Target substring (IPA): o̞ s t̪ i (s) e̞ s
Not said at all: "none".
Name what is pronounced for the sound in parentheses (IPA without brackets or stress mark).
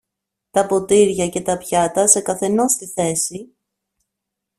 θ